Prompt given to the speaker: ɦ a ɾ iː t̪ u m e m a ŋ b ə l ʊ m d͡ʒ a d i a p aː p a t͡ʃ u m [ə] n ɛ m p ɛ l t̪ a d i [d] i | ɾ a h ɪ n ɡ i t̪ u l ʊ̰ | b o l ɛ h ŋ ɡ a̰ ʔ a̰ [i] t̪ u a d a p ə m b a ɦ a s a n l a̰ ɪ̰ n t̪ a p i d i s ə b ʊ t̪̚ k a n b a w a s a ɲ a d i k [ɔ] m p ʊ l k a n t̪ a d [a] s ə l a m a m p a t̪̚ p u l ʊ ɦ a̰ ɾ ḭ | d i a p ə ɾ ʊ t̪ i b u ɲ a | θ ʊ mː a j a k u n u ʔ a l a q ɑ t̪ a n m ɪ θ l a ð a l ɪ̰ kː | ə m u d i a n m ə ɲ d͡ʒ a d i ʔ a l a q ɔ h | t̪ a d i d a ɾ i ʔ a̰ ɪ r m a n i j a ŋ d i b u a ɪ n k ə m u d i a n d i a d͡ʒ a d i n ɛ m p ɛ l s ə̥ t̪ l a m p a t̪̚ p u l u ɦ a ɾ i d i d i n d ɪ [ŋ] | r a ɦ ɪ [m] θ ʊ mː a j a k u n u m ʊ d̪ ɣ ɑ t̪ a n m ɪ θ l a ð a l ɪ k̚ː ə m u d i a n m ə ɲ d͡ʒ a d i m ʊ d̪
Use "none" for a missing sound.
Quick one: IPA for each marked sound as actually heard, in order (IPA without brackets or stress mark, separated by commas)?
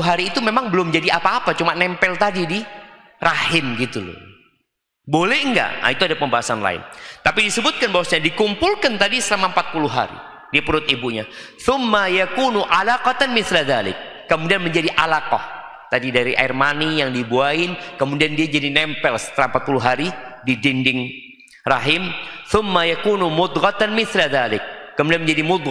a, d, i, u, i, ŋ, m